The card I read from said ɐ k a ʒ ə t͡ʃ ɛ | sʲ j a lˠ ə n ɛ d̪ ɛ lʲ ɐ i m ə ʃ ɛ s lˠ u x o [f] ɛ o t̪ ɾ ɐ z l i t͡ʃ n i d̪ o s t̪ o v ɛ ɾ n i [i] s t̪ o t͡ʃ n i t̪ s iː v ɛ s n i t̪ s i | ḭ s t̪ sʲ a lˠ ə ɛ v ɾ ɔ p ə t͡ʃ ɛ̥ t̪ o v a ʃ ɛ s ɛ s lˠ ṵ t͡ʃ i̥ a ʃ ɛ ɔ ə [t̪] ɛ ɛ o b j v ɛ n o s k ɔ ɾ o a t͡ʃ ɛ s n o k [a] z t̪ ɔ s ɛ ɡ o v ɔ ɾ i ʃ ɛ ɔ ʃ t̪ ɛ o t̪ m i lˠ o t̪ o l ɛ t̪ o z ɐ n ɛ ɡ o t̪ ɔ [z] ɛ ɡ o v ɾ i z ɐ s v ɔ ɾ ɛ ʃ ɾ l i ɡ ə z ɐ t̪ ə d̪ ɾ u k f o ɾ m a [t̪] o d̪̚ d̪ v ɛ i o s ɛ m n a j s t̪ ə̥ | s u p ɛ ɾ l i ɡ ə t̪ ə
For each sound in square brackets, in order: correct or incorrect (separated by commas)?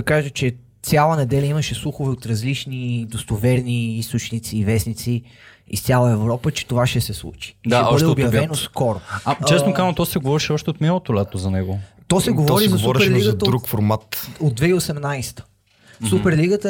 incorrect, correct, incorrect, correct, incorrect, correct